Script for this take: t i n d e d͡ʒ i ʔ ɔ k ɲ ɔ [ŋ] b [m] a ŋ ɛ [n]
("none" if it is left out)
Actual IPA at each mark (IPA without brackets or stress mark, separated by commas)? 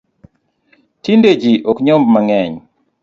m, m, ɲ